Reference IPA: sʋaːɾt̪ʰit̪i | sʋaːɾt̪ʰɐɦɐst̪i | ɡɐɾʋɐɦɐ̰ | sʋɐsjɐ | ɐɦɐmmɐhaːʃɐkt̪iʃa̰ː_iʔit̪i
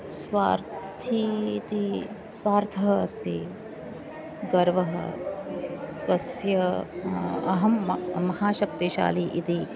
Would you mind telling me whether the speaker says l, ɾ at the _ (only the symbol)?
l